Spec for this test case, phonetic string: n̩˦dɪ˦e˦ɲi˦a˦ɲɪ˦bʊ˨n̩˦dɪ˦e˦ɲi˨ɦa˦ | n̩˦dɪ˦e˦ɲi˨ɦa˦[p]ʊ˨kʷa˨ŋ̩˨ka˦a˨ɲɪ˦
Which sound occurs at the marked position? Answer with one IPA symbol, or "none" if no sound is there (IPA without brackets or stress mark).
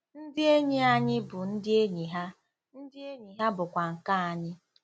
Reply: b